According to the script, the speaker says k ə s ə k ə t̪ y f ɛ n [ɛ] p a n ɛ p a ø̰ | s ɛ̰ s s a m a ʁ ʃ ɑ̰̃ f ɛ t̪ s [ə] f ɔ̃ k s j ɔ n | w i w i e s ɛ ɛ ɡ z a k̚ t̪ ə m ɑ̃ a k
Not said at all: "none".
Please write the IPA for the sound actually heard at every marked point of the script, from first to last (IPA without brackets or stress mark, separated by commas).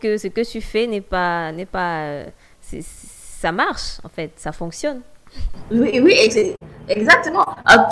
ɛ, a